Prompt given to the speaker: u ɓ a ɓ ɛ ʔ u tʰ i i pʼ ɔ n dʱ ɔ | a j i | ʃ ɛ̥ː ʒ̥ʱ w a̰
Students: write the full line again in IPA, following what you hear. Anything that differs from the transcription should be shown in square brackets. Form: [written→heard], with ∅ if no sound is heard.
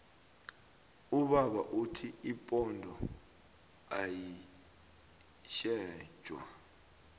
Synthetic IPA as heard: u ɓ a ɓ [ɛ→a] ʔ u tʰ i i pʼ ɔ n dʱ ɔ | a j i | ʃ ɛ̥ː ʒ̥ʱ w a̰